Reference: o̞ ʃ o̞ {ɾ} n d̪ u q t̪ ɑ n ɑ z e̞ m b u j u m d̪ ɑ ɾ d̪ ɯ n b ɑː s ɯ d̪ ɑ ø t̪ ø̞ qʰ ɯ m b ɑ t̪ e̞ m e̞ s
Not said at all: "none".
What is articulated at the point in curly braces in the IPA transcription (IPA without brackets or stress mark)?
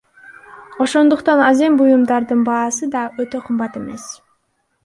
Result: none